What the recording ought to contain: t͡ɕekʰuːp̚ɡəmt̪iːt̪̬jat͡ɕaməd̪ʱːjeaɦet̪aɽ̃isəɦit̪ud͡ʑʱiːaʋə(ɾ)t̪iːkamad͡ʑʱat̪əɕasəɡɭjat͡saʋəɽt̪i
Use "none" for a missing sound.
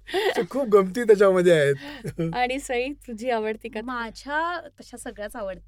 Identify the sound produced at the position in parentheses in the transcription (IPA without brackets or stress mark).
ɽ